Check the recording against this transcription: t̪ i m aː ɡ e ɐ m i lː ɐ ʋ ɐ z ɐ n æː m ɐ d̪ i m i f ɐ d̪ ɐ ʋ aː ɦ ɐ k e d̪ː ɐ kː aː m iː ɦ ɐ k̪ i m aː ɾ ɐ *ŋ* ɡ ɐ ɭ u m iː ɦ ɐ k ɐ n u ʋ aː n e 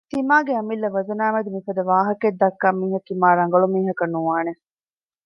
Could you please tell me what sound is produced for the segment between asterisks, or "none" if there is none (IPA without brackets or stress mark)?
ŋ